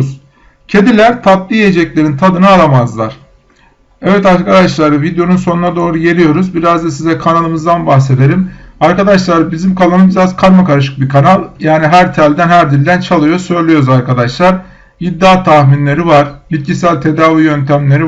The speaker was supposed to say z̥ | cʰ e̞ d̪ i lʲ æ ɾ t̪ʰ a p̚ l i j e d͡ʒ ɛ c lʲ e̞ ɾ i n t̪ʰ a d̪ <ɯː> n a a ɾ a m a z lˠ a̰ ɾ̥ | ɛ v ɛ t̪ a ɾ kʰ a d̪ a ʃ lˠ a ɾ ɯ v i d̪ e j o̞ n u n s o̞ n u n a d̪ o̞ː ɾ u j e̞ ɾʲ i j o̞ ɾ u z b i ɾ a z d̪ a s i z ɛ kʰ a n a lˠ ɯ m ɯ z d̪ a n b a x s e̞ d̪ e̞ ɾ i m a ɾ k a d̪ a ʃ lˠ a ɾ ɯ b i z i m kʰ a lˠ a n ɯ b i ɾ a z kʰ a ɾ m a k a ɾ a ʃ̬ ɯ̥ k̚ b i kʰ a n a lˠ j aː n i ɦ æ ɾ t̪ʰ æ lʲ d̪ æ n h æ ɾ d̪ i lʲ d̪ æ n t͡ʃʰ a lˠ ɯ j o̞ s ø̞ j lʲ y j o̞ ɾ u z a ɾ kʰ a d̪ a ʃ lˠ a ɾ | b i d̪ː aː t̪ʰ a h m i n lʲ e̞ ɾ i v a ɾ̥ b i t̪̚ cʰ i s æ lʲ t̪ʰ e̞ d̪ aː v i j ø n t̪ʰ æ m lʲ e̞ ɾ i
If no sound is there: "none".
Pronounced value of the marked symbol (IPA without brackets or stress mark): ɯ